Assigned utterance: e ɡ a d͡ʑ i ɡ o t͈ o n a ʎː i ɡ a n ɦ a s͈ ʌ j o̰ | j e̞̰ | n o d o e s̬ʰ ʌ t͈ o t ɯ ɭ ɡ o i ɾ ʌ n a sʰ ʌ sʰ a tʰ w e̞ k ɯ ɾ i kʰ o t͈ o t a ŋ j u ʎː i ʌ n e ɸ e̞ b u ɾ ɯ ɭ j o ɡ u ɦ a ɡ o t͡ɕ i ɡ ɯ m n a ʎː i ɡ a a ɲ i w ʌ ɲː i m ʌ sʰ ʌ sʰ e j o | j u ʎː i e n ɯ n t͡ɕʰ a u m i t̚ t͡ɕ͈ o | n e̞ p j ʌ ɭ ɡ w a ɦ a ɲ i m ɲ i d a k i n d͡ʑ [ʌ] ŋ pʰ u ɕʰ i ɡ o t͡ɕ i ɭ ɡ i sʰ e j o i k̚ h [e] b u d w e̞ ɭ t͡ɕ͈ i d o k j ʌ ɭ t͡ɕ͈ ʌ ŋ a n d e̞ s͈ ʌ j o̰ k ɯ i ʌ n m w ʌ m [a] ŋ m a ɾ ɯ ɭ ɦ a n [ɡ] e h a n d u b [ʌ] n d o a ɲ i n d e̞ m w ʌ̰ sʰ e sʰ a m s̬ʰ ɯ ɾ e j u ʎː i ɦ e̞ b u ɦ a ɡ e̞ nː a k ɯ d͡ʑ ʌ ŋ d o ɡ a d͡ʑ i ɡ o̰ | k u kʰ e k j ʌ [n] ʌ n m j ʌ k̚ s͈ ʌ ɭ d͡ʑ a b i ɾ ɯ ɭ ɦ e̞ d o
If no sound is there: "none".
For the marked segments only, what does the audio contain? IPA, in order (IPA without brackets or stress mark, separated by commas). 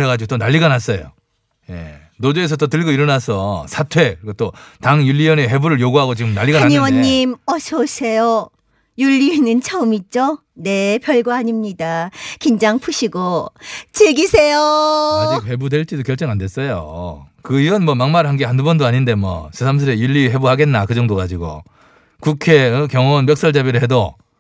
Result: a, e, a, ɡ, ʌ, ŋ